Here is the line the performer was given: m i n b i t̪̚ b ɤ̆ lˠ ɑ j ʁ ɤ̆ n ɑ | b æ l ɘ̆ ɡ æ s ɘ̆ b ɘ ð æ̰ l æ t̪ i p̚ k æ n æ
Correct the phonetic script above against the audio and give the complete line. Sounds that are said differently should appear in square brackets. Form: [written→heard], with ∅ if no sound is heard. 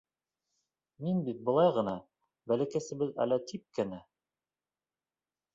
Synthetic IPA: m i n b i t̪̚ b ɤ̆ lˠ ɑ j ʁ ɤ̆ n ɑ | b æ l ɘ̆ [ɡ→k] æ s ɘ̆ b ɘ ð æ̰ l æ t̪ i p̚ k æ n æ